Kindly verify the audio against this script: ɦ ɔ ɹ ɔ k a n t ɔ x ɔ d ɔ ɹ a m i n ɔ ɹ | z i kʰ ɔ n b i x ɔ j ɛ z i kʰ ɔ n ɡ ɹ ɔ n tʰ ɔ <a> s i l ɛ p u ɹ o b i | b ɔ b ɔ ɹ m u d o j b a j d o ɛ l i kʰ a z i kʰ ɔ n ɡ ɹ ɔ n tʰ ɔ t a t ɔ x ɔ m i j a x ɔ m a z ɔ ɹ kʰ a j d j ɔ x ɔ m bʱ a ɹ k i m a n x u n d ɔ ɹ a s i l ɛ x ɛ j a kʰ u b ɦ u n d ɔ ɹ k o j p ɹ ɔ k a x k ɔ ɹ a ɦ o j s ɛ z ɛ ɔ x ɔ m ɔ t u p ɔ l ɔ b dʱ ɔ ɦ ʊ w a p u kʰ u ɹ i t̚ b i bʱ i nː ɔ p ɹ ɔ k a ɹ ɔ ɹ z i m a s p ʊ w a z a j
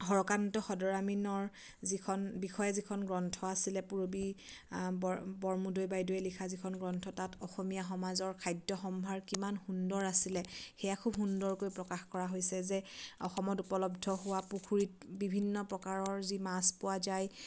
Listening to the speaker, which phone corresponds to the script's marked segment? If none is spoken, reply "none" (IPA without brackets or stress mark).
a